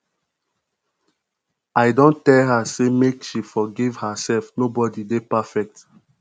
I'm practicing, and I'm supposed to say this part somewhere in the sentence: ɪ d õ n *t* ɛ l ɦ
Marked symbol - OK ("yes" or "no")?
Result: yes